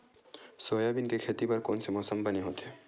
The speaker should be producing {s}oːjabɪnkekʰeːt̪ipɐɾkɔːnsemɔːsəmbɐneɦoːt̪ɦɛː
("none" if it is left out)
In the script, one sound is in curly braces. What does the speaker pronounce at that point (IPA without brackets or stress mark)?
s